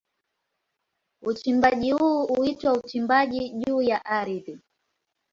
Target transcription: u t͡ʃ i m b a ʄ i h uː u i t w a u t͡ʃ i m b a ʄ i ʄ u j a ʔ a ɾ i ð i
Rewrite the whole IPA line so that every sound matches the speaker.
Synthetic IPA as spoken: u t͡ʃ i m b a ʄ i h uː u i t w a u t͡ʃ i m b a ʄ i ʄ uː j a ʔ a ɾ i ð i

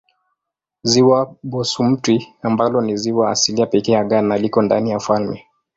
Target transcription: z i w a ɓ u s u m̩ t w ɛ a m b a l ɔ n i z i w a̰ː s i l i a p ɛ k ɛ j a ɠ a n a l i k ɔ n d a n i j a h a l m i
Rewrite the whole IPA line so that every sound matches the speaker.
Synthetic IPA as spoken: z i w a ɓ ɔ s u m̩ t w i a m b a l ɔ n i z i w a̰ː s i l i a p ɛ k ɛ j a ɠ a n a l i k ɔ n d a n i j a f a l m ɛ

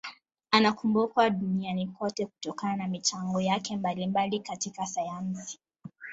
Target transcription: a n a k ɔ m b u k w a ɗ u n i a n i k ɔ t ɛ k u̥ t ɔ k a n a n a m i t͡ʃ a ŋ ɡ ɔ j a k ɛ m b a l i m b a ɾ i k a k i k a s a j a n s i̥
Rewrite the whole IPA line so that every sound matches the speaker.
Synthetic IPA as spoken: a n a k u m b u k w a ɗ u n i a n i k ɔ t ɛ k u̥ t ɔ k a n a n a m i t͡ʃ a ŋ ɡ ɔ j a k ɛ m b a l i m b a l i k a t i k a s a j a n s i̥

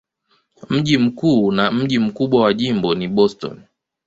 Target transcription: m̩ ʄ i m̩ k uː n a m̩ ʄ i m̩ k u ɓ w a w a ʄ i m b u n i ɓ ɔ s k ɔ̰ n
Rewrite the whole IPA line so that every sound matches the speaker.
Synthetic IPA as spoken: m̩ ʄ i m̩ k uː n a m̩ ʄ i m̩ k u ɓ w a w a ʄ i m b ɔ n i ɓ ɔ s t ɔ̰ n

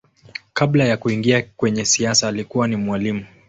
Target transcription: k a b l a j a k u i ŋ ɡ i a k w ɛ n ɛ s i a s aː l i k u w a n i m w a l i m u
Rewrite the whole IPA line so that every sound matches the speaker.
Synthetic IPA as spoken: k a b l a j a k u i ŋ ɡ i a k w ɛ ɲ ɛ s i a s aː l i k u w a n i m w a l i m u

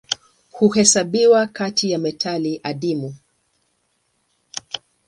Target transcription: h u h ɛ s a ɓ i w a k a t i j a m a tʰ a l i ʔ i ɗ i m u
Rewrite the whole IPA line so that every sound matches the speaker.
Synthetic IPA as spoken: h u h ɛ s a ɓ i w a k a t i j a m ɛ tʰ a l i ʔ a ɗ i m u

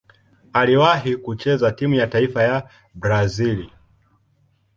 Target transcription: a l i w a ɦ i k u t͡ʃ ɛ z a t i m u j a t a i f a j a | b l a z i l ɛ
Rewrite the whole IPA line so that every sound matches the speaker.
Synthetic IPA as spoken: a l i w a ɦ i k u t͡ʃ ɛ z a t i m u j a t a i f a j a | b ɾ a z i l i

